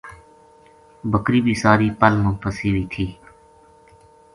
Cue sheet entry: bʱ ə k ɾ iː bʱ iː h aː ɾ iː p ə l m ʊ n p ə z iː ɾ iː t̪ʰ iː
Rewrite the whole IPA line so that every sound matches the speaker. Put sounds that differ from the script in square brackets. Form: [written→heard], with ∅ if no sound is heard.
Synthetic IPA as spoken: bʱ ə k ɾ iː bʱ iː [h→s] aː ɾ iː p ə l m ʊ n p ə [z→s] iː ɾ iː t̪ʰ iː